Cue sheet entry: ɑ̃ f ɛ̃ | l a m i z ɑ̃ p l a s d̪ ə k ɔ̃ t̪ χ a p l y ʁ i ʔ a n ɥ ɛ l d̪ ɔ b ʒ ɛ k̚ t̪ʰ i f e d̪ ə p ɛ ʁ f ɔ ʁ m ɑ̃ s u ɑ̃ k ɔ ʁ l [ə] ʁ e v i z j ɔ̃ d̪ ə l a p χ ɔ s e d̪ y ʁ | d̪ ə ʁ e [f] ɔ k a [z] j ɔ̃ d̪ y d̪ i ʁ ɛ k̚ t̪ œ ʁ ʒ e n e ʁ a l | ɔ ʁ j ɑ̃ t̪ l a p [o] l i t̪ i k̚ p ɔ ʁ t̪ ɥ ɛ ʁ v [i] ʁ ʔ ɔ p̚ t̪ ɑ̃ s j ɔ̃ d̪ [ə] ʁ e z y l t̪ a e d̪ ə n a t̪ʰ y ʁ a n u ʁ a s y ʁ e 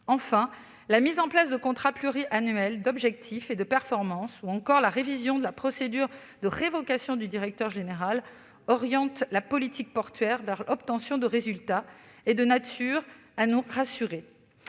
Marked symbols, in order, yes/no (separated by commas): no, no, no, no, no, yes